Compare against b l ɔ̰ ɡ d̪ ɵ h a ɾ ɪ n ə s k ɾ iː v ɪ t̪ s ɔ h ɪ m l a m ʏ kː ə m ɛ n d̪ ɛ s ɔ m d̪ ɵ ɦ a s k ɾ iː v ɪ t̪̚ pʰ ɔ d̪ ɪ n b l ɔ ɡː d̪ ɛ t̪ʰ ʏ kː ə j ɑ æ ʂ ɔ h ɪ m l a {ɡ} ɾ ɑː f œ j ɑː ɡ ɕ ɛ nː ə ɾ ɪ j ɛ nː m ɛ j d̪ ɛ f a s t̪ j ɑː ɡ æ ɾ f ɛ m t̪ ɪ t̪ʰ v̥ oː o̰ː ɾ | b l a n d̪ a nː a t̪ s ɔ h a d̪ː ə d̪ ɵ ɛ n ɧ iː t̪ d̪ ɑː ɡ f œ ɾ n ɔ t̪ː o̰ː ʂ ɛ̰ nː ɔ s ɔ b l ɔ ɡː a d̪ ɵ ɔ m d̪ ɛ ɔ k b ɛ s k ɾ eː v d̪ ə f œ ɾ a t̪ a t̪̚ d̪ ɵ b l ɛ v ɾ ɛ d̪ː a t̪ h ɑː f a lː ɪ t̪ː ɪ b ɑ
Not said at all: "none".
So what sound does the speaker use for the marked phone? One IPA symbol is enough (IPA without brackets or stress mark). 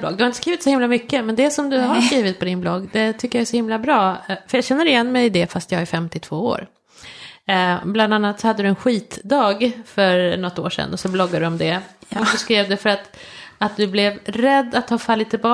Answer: b